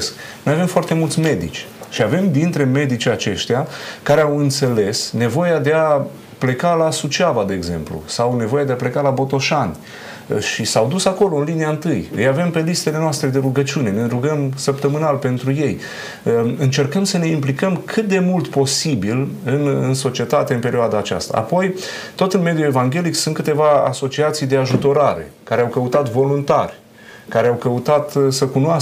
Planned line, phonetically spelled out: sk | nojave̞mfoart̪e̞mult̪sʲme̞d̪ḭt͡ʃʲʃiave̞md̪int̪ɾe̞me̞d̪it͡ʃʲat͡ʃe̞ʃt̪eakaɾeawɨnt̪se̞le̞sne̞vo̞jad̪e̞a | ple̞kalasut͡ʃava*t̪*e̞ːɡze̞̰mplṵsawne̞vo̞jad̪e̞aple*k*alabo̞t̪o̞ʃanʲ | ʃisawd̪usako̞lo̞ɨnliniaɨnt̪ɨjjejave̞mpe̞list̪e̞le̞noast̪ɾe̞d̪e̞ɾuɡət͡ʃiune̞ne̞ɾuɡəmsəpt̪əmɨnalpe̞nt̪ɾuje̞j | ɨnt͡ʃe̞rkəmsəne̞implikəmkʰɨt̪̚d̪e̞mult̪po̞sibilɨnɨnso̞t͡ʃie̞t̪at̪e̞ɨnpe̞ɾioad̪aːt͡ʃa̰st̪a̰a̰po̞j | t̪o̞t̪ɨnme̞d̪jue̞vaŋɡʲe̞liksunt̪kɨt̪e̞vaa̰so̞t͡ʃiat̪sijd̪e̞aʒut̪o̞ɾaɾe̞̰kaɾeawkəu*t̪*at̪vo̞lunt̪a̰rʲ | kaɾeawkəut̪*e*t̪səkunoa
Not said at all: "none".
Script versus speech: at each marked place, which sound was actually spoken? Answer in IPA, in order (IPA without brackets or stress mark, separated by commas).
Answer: d̪, k, t̪, a